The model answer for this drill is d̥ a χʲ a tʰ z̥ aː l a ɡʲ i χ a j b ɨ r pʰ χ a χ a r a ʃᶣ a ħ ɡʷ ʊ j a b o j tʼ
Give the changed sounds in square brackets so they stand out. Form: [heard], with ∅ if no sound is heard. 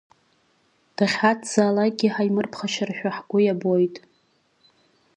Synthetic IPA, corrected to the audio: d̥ a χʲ a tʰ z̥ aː l a ɡʲ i [ħ] a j [m] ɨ r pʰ χ a [ʃ] a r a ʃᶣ a ħ ɡʷ ʊ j a b o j tʼ

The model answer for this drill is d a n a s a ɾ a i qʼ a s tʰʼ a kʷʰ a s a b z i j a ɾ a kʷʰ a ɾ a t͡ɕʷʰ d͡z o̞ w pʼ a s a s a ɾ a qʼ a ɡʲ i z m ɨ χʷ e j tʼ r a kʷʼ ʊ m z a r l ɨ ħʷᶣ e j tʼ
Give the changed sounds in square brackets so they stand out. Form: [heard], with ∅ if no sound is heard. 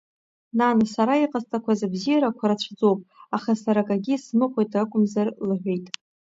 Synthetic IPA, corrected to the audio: [n] a n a s a ɾ a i qʼ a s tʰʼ a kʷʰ a [z] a b z i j a ɾ a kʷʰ a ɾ a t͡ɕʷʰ d͡z o̞ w pʼ a [χ] a s a ɾ a [kʼ] a ɡʲ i [s] m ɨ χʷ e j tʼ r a kʷʼ ʊ m z a r l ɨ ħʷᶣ e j tʼ

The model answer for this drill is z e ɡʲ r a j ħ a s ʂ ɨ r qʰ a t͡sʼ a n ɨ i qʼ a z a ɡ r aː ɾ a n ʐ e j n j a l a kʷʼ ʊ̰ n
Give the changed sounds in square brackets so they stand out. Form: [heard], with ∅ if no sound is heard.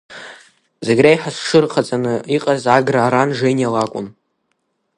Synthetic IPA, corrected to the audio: z e ɡʲ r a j ħ a s ʂ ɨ r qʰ a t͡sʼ a n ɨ i qʼ a z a ɡ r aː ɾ a n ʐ e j n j a l a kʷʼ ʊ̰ n

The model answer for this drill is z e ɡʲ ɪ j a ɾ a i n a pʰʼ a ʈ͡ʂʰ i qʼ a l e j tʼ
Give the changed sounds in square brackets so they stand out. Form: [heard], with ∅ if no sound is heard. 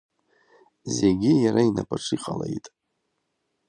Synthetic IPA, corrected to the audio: z e ɡʲ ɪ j a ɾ a i n a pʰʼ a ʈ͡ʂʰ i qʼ a l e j tʼ

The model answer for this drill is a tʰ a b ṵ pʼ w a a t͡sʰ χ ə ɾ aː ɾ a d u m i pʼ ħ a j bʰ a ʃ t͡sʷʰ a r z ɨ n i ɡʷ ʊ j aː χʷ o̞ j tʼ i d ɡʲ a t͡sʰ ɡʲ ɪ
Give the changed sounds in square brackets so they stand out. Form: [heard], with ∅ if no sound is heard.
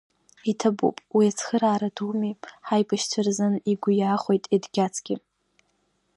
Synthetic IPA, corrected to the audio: [i] tʰ a b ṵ pʼ w [i] a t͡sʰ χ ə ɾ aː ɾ a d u m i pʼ ħ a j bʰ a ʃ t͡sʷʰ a r z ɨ n i ɡʷ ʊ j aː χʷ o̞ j tʼ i d ɡʲ a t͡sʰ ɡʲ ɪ

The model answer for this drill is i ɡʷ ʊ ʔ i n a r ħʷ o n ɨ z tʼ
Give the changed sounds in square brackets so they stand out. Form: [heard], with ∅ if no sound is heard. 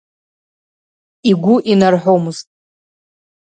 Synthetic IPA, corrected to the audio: i ɡʷ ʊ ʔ i n a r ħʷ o [m] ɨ z tʼ

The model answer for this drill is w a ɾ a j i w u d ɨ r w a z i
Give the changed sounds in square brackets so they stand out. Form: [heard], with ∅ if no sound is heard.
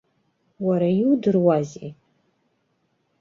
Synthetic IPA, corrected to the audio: w a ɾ a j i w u d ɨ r w a z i

